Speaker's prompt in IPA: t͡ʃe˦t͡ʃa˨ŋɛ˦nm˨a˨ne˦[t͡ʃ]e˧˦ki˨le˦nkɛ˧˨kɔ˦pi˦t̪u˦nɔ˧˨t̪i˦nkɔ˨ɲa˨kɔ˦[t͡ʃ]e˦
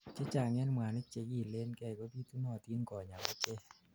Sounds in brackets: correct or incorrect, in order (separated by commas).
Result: correct, correct